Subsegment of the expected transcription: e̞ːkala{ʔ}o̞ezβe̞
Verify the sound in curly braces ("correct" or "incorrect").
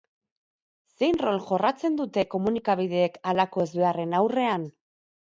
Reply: incorrect